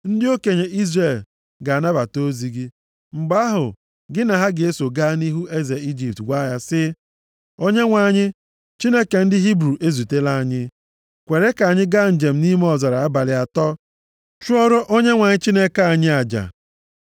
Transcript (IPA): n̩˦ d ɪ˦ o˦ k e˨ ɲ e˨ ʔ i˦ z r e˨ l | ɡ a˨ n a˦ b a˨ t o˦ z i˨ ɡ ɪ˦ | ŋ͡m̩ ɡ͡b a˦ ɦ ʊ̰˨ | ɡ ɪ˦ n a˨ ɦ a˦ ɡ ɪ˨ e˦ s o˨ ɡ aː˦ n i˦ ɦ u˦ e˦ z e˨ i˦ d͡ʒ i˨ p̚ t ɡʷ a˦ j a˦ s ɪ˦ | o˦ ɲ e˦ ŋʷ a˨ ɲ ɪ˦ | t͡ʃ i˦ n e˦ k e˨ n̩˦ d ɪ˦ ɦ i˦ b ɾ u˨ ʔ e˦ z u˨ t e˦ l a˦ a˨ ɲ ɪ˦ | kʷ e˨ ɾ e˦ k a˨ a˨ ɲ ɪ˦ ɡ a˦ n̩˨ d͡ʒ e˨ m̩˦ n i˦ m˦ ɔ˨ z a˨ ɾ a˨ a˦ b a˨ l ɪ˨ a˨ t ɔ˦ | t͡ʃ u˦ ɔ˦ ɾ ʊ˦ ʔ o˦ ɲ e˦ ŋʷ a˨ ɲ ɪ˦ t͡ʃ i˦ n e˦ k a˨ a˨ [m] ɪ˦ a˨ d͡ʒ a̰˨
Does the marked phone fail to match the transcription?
yes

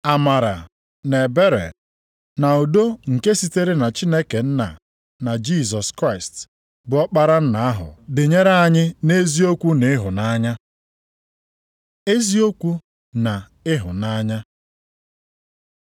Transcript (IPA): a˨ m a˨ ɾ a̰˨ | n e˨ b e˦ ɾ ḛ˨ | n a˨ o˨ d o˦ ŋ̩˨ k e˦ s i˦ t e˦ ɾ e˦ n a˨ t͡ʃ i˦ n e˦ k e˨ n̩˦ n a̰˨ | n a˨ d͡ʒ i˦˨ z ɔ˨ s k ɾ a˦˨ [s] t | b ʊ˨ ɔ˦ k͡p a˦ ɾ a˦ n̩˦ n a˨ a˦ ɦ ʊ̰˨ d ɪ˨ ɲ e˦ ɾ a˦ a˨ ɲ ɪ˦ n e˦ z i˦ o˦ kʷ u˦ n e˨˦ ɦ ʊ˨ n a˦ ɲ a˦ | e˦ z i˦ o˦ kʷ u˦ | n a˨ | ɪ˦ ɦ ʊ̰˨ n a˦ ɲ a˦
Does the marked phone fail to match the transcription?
no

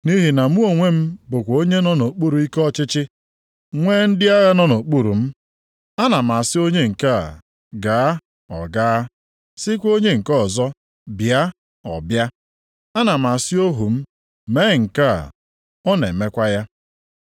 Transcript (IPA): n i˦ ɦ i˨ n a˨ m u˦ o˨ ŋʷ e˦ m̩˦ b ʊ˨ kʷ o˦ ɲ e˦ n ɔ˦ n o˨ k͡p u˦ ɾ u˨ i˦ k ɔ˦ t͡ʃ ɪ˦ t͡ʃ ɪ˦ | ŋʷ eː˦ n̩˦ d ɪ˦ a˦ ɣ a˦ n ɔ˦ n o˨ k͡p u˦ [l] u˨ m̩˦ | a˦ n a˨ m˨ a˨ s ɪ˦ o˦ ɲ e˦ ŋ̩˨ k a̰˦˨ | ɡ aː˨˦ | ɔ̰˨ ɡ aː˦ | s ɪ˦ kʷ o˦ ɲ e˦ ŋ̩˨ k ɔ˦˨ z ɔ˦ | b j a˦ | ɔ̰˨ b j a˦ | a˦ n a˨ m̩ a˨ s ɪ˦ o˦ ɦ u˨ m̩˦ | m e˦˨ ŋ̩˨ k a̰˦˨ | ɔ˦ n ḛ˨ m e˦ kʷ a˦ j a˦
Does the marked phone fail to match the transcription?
yes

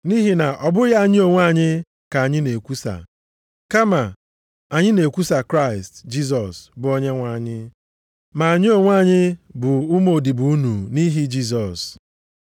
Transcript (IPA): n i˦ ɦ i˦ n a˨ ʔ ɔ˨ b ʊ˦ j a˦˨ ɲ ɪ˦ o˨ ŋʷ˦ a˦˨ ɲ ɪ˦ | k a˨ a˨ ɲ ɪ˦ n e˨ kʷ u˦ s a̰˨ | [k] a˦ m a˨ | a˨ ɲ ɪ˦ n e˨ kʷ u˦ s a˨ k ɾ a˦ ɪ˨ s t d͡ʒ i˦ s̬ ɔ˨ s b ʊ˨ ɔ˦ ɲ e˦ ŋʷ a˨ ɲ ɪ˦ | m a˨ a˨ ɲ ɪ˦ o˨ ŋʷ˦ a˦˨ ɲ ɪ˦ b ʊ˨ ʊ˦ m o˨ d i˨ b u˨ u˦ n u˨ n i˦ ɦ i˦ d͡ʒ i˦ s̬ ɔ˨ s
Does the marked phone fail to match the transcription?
no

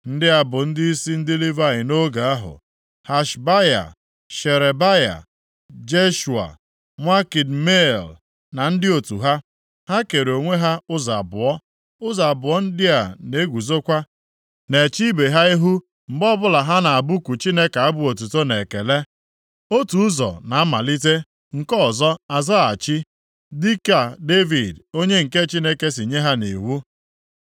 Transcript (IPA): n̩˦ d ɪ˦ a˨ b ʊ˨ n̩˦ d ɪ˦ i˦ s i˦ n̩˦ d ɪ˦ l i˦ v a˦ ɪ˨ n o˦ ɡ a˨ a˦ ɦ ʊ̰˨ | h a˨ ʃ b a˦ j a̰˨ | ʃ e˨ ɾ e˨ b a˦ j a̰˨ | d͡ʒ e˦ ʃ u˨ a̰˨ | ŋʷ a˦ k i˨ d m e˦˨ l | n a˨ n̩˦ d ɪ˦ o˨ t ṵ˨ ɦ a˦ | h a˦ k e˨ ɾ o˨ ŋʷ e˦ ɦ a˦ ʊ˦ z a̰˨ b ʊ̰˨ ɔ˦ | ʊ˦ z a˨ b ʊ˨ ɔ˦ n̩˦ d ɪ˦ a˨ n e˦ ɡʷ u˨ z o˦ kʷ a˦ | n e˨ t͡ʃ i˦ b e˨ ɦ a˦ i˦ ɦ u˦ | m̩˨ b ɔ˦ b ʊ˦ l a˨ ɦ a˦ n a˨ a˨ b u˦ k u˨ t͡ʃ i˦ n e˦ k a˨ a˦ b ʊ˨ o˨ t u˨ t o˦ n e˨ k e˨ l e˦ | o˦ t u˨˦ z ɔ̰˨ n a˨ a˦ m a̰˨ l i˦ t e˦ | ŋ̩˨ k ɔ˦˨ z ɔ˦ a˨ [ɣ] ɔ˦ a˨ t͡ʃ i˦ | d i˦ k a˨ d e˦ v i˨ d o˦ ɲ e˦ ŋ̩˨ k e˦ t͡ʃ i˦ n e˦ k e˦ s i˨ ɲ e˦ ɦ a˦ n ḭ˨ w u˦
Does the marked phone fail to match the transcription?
yes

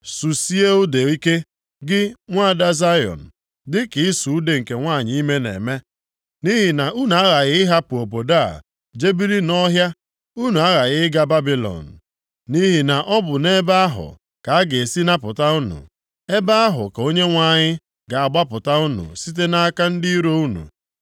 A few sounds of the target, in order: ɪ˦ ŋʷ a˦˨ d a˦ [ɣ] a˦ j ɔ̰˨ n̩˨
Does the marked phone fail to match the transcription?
yes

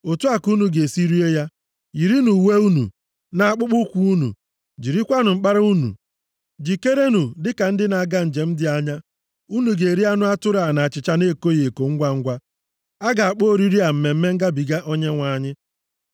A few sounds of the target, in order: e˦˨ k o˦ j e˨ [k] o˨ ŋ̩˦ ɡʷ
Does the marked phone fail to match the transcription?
no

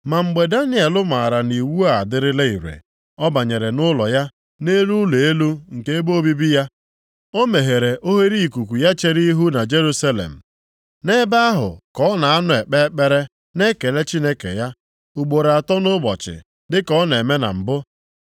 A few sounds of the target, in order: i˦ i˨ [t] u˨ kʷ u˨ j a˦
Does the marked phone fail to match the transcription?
yes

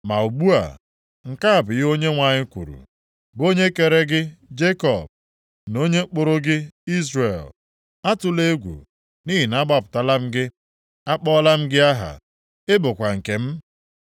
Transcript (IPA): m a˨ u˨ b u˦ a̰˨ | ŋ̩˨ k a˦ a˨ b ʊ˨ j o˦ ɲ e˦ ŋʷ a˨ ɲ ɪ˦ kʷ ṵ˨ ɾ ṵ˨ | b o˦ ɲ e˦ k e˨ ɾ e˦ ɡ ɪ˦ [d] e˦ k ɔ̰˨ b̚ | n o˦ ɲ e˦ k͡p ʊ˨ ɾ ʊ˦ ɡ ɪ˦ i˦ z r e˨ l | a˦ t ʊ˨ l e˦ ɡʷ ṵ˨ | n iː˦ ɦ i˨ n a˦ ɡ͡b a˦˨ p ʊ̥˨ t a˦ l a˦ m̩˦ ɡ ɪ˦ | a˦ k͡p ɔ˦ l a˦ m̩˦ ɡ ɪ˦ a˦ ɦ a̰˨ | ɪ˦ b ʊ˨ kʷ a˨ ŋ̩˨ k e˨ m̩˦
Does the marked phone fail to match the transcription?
yes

